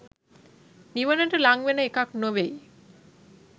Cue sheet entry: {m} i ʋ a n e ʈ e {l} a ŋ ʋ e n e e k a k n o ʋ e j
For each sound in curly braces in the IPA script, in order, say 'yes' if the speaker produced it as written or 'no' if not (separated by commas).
no, yes